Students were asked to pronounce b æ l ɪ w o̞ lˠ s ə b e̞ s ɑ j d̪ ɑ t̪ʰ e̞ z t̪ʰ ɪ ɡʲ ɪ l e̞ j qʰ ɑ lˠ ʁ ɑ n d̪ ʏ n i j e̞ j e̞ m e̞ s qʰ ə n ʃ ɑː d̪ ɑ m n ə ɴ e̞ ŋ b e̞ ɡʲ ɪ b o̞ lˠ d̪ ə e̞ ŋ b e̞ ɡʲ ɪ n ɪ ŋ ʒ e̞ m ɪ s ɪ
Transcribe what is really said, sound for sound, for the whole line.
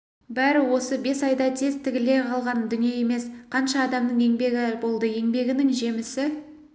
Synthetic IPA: b æ ɾ ɪ w o̞ s ə b e̞ s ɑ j d̪ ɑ t̪ʰ e̞ z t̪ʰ ɪ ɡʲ ɪ l e̞ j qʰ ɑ lˠ ʁ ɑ n d̪ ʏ n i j e̞ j e̞ m e̞ s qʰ ɑ n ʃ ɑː d̪ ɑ m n ə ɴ e̞ ŋ b e̞ ɡʲ ɪ b o̞ lˠ d̪ ə e̞ ŋ b e̞ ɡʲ ɪ n ɪ ŋ ʒ e̞ m ɪ s ɪ

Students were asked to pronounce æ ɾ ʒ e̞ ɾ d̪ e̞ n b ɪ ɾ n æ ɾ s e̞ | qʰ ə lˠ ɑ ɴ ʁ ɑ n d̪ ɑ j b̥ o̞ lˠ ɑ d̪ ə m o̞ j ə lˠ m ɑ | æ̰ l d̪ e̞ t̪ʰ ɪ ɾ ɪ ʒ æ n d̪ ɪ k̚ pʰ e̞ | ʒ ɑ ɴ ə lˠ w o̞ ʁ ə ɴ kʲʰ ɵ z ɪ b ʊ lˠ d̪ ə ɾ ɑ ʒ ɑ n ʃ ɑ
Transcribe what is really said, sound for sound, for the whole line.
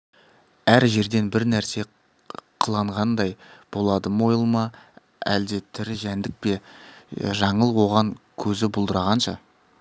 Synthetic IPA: æ ɾ ʒ e̞ ɾ d̪ e̞ n b ɪ ɾ n æ ɾ s e̞ | qʰ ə lˠ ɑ ɴ ʁ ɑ n d̪ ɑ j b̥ o̞ lˠ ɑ d̪ ə m o̞ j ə lˠ m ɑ | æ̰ l d̪ e̞ t̪ʰ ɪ ɾ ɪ ʒ æ n d̪ ɪ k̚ p e̞ | ʒ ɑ ɴ ə lˠ w o̞ ʁ ɑ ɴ kʲʰ ɵ z ɪ b ʊ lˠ d̪ ə ɾ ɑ ʁ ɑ n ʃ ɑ

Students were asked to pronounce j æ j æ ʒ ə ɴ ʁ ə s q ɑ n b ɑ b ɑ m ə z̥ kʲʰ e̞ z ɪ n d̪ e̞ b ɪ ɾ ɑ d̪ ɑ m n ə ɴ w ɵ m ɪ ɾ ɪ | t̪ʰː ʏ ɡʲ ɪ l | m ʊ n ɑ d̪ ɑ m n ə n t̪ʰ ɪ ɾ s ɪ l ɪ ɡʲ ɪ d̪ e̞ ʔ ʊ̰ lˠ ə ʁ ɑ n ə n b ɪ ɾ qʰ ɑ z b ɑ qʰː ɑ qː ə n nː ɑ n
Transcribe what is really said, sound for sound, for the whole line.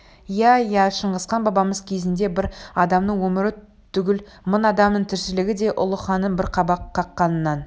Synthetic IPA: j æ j æ ʃ ə ɴ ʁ ə s q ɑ n b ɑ b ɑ m ə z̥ kʲʰ e̞ z ɪ n d̪ e̞ b ɪ ɾ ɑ d̪ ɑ m n ə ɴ w ɵ m ɪ ɾ ɪ | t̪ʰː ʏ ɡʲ ɪ l | m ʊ n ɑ d̪ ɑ m n ə ɴ t̪ʰ ɪ ɾ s ɪ l ɪ ɡʲ ɪ d̪ e̞ ʔ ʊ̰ lˠ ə χ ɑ n ə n b ɪ ɾ qʰ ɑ b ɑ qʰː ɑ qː ɑ n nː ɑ n

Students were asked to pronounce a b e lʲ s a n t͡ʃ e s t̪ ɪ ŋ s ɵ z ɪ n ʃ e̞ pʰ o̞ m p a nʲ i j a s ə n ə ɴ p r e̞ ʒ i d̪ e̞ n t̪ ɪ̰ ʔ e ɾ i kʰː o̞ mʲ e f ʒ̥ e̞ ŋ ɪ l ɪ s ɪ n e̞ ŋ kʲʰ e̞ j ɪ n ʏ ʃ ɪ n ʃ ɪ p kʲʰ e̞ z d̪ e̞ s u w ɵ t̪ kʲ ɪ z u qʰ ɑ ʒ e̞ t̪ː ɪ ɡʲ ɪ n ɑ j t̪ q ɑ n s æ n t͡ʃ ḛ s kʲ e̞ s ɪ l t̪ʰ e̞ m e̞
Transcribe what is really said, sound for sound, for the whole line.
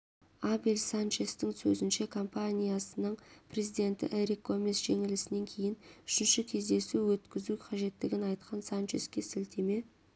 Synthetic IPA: a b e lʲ s a n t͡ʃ e s t̪ ɪ ŋ s ɵ z ɪ n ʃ e̞ kʰ o̞ m p a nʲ i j a s ə n ə ɴ p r e̞ z i d̪ e̞ n t̪ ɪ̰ ʔ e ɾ i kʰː o̞ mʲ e s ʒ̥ e̞ ŋ ɪ l ɪ s ɪ n e̞ ŋ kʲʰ e̞ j ɪ n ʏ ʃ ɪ n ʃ ɪ kʲʰ e̞ z d̪ e̞ s u w ɵ t̪ kʲ ɪ z u qʰ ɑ ʒ e̞ t̪ː ɪ ɡʲ ɪ n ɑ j t̪ q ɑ n s a n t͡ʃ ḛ s kʲ e̞ s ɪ l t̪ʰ e̞ m e̞

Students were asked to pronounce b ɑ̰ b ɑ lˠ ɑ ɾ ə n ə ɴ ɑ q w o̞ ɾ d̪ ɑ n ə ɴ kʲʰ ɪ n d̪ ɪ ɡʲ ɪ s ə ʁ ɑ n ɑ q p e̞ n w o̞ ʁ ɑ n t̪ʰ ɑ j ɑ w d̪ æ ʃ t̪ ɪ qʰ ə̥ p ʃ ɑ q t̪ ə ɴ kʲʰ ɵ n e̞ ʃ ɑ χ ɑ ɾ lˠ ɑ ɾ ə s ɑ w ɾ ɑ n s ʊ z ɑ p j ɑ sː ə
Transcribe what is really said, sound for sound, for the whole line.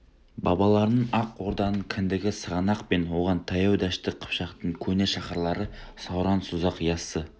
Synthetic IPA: b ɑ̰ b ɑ lˠ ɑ ɾ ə n ə ɴ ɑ q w o̞ ɾ d̪ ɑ n ə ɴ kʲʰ ɪ n d̪ ɪ ɡʲ ɪ s ə ʁ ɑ n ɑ q p e̞ n w o̞ ʁ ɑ n t̪ʰ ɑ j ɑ w d̪ æ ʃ t̪ ɪ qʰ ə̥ p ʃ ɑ q t̪ ə ɴ kʲʰ ɵ n e̞ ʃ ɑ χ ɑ ɾ lˠ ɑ ɾ ə s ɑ w ɾ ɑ n s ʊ z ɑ q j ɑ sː ə

